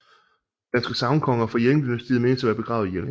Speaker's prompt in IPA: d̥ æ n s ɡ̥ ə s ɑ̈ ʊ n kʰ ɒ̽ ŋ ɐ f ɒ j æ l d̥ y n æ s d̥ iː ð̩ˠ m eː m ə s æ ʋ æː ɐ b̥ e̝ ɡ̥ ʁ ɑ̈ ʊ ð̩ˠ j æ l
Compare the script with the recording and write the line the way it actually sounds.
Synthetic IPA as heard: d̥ æ n s ɡ̥ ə s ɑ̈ ʊ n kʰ ɒ̽ ŋ ɐ f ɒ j e l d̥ y n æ s d̥ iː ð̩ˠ m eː n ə s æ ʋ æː ɐ b̥ e̝ ɡ̥ ʁ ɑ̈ ʊ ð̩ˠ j e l